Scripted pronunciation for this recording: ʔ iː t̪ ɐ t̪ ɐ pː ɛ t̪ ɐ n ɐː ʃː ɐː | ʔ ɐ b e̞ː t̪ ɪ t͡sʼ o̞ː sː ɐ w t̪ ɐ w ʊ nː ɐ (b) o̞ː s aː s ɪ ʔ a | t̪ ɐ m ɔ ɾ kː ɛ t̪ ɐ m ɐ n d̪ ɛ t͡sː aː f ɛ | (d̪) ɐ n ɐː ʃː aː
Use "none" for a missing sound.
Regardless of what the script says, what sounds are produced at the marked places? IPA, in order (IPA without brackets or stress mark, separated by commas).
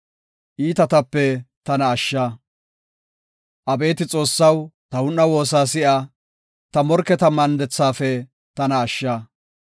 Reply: w, t̪